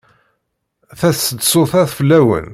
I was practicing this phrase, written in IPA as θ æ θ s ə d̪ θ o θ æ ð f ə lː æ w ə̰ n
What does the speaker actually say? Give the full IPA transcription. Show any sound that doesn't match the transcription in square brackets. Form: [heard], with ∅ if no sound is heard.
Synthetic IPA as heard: θ æ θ s ə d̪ [s] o θ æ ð f ə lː æ w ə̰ n